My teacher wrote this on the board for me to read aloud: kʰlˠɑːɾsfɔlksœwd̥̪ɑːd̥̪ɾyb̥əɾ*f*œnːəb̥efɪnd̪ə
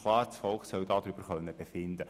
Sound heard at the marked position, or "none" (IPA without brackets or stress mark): χ